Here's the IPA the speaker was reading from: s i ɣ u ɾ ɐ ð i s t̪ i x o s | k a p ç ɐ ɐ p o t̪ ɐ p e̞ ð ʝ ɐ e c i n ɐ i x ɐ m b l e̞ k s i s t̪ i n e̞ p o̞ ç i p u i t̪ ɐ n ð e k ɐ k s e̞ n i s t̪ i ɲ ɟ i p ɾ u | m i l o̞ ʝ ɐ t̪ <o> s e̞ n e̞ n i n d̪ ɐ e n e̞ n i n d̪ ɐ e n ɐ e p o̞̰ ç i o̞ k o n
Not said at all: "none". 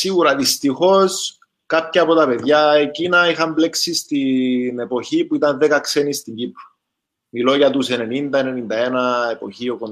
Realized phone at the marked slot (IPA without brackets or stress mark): u